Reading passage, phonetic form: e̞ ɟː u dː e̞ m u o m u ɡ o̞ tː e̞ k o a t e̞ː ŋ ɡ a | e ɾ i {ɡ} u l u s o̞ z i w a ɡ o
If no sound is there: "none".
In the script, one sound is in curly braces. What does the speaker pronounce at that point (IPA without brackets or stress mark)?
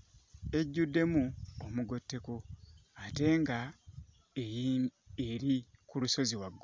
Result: k